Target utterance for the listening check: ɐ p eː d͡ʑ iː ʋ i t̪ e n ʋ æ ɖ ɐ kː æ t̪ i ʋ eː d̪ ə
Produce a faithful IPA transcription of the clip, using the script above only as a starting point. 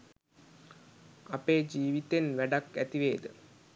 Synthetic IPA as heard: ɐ p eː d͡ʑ iː ʋ i t̪ e n ʋ æ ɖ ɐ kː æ t̪ i ʋ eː d̪ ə